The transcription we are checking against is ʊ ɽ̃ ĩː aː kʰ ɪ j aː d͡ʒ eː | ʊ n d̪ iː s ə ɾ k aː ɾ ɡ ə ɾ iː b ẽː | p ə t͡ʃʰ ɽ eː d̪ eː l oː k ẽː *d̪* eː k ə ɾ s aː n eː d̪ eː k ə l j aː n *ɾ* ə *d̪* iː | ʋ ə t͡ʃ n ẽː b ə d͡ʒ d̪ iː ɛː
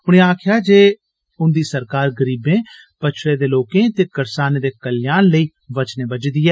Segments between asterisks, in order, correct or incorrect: incorrect, incorrect, incorrect

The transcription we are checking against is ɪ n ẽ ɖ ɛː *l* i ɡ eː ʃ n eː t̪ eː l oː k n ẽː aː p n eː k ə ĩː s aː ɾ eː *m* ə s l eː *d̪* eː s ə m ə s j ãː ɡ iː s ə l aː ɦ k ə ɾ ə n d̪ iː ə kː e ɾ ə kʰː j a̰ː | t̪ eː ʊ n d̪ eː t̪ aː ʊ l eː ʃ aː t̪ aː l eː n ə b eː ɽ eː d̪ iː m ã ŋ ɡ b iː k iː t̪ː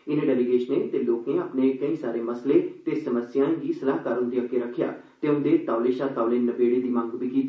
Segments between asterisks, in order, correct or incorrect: correct, correct, incorrect

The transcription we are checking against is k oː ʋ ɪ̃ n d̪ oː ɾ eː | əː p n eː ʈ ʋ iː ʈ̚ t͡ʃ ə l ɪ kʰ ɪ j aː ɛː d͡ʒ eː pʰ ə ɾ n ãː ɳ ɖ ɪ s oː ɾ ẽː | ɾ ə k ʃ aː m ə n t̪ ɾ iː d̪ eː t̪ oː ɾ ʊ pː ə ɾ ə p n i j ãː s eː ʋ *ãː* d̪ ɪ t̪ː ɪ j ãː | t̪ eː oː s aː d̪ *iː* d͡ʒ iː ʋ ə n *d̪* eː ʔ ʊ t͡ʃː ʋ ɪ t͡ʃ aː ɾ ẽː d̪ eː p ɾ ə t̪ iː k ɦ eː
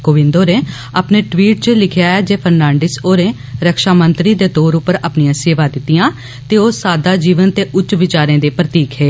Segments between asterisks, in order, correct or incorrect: incorrect, incorrect, incorrect

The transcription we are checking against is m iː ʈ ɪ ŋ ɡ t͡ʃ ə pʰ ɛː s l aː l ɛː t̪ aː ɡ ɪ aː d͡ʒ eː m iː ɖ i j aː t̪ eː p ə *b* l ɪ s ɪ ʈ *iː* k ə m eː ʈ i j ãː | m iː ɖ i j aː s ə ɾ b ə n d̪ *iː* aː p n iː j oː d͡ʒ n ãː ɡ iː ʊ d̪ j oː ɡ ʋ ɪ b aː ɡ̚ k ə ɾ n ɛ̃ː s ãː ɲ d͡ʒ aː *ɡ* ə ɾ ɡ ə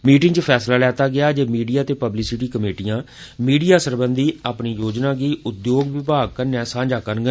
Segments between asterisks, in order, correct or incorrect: correct, correct, correct, incorrect

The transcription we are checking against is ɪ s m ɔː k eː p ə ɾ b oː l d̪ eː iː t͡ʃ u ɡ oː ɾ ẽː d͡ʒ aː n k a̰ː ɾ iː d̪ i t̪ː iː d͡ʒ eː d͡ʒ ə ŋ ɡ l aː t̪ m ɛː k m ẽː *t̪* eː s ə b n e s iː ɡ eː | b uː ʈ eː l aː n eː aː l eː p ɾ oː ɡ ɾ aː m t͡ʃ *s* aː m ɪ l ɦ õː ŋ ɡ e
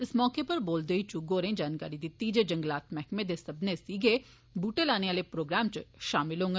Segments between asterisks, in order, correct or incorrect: incorrect, incorrect

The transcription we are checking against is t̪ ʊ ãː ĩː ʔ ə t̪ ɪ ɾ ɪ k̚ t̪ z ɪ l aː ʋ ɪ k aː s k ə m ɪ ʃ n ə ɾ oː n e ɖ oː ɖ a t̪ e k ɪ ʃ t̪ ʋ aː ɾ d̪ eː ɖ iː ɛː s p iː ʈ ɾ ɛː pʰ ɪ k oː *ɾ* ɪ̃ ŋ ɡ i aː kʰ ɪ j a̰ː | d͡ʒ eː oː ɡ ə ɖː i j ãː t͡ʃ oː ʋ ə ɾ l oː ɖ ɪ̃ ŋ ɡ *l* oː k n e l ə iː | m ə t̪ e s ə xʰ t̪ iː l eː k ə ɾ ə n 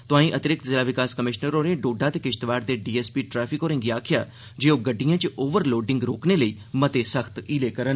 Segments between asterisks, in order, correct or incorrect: correct, incorrect

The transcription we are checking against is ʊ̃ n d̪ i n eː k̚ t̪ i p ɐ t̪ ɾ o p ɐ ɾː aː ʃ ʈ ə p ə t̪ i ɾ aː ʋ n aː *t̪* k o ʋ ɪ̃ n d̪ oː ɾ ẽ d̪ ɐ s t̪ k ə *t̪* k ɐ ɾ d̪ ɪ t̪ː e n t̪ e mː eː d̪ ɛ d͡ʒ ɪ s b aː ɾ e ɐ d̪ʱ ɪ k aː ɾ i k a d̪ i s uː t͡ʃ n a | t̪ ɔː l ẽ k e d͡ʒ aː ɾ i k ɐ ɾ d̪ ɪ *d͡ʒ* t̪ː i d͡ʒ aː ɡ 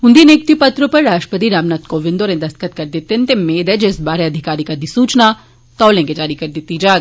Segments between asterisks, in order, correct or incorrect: correct, correct, incorrect

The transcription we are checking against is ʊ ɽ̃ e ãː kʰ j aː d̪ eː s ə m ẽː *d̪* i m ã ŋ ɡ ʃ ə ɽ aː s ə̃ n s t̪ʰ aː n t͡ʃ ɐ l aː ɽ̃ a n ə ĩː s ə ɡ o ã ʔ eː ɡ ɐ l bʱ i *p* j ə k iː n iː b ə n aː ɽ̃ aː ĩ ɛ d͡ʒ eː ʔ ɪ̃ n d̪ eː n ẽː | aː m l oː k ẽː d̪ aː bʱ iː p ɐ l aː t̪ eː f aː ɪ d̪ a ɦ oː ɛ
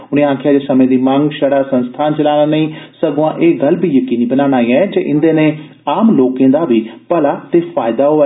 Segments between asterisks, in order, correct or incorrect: correct, incorrect

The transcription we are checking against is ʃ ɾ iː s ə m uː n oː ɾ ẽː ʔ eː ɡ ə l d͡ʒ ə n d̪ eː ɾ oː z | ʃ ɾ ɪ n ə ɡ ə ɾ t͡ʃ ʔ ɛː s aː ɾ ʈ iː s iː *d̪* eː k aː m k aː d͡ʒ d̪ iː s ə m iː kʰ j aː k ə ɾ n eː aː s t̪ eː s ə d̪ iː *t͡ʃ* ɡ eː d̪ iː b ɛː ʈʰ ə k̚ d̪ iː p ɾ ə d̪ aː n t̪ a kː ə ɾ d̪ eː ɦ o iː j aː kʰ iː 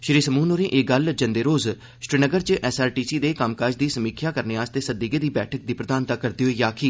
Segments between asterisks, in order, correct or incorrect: correct, incorrect

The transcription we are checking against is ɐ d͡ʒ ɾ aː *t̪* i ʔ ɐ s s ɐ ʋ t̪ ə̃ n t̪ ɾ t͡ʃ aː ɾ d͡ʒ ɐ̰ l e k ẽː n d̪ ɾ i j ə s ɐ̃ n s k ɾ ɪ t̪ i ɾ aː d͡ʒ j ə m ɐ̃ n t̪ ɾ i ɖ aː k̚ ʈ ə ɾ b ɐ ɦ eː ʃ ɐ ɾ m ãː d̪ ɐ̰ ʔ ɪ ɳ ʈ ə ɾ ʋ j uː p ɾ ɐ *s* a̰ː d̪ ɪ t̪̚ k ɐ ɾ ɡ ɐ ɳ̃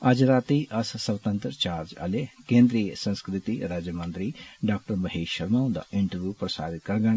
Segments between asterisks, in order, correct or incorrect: correct, correct

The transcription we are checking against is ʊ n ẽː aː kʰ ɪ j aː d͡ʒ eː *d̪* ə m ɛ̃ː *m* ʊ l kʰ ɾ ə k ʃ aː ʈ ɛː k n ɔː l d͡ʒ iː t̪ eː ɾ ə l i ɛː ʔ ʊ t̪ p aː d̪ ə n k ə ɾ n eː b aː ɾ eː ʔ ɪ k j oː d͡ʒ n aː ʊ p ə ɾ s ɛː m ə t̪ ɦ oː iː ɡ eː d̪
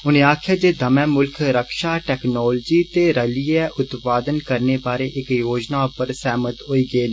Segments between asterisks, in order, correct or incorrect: correct, correct

